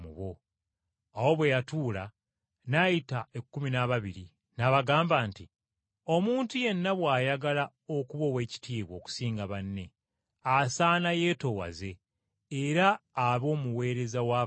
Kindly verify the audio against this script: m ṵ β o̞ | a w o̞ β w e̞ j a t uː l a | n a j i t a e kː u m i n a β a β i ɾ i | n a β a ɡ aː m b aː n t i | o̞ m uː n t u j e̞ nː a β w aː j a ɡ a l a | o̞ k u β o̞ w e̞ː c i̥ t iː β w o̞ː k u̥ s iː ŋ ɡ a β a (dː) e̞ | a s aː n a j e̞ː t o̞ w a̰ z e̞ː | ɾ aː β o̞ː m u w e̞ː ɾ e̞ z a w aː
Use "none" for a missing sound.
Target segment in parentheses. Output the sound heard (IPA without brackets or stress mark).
nː